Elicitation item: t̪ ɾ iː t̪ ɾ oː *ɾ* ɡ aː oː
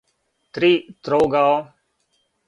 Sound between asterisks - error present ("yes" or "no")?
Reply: yes